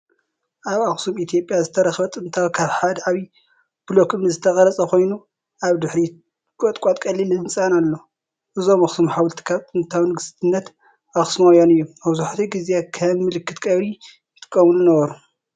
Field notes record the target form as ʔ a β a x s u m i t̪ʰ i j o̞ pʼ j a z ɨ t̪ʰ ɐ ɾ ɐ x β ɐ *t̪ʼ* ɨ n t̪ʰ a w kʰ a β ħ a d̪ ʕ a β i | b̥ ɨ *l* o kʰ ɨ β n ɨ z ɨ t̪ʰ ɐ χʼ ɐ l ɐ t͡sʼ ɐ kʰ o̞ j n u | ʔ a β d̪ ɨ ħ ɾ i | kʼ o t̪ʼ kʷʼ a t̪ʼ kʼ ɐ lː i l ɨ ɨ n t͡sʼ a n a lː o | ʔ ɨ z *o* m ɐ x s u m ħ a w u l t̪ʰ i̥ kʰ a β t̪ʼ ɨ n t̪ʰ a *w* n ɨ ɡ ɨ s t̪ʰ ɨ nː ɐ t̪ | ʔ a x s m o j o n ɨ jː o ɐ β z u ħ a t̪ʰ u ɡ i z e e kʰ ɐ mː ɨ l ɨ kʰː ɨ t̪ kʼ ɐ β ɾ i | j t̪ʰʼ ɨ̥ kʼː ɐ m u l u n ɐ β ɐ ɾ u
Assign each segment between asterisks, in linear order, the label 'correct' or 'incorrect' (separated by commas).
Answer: correct, correct, correct, correct